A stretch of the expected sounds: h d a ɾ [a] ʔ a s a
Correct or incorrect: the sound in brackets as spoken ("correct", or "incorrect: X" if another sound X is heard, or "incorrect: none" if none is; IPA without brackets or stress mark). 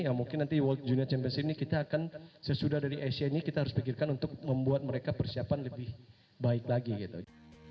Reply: incorrect: i